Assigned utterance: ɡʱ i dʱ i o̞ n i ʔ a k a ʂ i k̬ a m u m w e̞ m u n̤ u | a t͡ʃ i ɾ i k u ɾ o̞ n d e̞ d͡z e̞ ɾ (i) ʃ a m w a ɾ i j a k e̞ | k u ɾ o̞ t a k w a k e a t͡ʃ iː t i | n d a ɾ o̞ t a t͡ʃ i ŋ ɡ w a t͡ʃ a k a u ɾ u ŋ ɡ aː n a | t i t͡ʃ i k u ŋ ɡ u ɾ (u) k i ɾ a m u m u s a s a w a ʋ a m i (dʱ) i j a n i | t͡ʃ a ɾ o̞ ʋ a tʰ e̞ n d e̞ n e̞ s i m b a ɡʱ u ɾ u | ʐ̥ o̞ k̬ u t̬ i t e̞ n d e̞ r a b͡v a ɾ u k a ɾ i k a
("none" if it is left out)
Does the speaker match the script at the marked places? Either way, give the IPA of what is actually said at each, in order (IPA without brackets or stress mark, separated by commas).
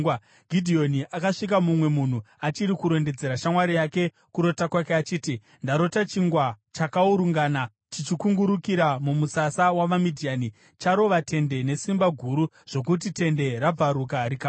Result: a, u, dʱ